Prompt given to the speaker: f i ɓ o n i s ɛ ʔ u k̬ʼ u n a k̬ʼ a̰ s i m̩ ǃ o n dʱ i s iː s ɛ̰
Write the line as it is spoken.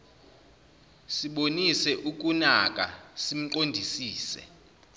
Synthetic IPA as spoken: s i ɓ o n i s ɛ ʔ u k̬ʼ u n a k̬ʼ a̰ s i m̩ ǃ o n dʱ i s iː s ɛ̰